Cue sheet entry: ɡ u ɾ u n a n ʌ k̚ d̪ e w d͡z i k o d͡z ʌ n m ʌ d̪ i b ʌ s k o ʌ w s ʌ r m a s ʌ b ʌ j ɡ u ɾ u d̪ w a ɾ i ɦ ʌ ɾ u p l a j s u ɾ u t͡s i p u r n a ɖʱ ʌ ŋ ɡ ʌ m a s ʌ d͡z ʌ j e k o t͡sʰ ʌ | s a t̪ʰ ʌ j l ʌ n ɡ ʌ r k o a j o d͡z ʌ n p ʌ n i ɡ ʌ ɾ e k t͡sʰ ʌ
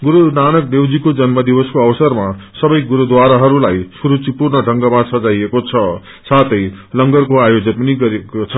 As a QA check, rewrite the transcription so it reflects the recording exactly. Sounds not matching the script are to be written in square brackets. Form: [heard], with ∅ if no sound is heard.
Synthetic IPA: ɡ u ɾ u n a n ʌ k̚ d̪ e w d͡z i k o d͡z ʌ n m ʌ d̪ i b ʌ s k o ʌ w s ʌ r m a s ʌ b ʌ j ɡ u ɾ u d̪ w a ɾ [a] ɦ ʌ ɾ u [∅] l a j s u ɾ u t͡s i p u r n [ʌ] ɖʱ ʌ ŋ ɡ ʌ m a s ʌ d͡z [a] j e k o t͡sʰ ʌ | s a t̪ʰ ʌ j l ʌ [ŋ] ɡ ʌ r k o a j o d͡z ʌ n p ʌ n i ɡ ʌ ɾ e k t͡sʰ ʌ